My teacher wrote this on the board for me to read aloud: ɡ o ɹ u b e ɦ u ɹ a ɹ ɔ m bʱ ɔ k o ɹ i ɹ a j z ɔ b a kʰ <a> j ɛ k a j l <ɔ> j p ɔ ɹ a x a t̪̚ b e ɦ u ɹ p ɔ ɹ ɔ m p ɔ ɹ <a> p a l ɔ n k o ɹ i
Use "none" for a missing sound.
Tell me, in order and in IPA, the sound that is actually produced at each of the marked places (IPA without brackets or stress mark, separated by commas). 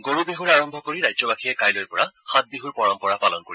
i, o, a